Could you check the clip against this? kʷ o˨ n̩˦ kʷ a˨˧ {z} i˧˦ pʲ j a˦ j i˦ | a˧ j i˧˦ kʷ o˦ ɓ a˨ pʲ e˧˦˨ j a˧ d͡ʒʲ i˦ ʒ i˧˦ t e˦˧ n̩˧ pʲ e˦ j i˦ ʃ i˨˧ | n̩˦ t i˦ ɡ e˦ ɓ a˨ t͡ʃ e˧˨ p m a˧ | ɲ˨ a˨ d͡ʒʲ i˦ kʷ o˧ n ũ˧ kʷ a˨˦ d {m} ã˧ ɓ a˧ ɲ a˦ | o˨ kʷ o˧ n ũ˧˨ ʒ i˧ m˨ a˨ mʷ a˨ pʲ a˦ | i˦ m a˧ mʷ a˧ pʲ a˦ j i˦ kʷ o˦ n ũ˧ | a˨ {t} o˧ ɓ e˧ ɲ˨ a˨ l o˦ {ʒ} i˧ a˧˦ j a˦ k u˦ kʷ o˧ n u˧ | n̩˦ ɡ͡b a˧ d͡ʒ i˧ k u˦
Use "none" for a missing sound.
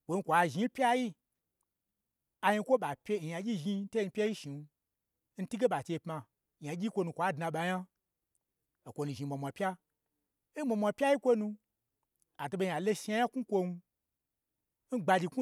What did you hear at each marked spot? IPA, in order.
ʒ, n, t, ʃ

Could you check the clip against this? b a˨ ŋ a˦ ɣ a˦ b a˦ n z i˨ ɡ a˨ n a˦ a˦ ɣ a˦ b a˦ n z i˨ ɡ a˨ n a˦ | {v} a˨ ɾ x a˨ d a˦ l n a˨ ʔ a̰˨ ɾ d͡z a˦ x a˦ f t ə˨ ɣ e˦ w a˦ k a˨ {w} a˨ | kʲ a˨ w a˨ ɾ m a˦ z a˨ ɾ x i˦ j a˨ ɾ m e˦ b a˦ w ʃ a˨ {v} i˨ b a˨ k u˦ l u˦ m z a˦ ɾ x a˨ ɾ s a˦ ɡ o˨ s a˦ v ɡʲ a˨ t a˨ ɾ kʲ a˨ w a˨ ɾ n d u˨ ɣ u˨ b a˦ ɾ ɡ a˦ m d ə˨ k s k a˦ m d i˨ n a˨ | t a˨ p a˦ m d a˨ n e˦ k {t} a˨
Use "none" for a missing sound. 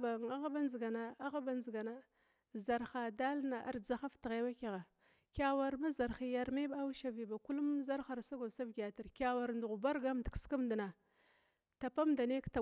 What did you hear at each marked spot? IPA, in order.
z, ɣ, v, t

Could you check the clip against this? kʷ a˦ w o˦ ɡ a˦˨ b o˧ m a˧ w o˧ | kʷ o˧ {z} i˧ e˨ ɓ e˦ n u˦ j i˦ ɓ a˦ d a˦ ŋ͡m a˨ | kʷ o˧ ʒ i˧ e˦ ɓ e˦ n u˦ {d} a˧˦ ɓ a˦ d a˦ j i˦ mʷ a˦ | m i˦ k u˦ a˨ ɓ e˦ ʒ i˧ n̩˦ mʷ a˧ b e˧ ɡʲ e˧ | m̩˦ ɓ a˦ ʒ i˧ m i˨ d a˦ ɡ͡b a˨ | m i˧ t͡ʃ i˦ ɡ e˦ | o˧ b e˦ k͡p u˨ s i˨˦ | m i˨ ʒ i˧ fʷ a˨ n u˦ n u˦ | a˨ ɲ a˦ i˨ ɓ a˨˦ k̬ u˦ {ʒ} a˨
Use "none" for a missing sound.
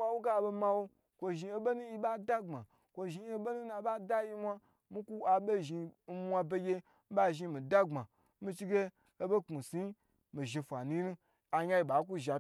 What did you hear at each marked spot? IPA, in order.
ʒ, n, ʒ

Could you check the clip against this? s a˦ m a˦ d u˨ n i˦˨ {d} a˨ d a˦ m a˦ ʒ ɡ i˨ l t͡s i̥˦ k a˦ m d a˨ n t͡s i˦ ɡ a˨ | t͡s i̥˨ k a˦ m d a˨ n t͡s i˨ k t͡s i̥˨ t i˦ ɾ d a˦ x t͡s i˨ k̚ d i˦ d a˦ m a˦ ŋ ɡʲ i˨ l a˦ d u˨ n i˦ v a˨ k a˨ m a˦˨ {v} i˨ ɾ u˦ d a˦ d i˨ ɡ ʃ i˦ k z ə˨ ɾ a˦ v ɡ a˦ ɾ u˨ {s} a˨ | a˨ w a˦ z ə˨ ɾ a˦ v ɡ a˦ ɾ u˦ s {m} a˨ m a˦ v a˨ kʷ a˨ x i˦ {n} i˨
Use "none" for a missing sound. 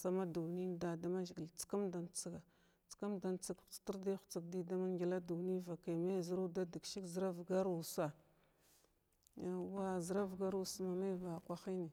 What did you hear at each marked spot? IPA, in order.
d, z, s, m, n

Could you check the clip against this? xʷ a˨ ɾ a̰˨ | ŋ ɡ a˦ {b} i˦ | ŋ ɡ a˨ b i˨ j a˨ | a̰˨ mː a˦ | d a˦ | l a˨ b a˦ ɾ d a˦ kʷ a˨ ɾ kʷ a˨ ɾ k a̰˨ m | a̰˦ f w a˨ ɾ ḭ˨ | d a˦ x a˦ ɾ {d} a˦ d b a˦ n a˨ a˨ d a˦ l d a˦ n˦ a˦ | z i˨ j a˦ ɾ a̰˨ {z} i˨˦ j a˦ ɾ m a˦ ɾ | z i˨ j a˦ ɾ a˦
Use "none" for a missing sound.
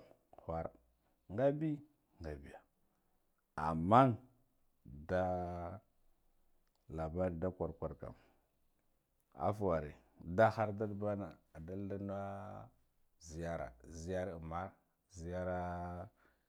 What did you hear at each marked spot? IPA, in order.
b, d, z

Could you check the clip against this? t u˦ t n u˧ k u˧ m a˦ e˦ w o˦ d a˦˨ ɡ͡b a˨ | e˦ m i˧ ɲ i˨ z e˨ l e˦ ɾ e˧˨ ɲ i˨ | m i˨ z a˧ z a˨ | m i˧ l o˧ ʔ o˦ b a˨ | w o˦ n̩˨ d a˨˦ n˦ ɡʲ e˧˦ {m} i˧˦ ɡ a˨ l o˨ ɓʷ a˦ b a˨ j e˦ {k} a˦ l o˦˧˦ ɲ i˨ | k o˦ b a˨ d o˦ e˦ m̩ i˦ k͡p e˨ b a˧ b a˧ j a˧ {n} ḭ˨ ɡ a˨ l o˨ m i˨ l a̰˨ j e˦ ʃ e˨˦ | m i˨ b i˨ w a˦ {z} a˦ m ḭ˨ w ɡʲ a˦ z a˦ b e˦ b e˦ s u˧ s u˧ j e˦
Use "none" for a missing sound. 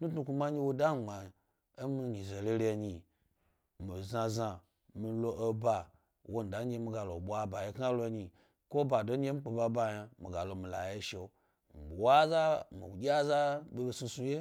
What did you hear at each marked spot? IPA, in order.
m, k, m, z

